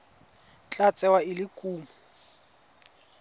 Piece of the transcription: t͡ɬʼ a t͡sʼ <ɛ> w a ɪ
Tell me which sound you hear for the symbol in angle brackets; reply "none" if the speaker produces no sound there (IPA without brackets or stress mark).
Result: ɛ